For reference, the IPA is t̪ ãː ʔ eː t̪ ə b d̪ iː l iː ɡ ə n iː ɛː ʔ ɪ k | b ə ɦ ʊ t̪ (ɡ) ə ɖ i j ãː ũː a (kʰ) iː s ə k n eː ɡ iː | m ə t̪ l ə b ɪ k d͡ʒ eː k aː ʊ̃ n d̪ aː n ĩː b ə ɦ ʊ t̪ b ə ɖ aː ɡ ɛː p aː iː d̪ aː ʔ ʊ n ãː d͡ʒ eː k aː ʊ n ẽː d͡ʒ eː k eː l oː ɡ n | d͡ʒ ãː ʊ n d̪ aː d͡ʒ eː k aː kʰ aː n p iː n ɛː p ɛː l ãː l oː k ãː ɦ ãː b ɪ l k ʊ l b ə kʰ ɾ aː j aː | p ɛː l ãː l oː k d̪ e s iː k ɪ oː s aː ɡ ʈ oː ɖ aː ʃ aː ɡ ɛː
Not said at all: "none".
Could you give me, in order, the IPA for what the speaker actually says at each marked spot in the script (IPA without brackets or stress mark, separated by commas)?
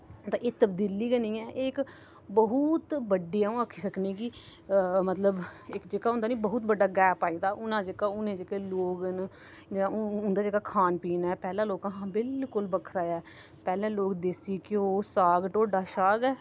b, kʰ